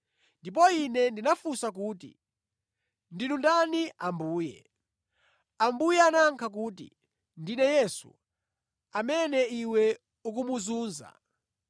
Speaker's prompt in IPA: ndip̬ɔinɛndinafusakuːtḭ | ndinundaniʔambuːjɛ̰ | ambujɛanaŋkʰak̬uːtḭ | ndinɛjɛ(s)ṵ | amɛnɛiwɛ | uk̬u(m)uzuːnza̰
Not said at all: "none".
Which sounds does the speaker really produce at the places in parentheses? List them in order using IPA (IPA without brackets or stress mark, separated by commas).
s, m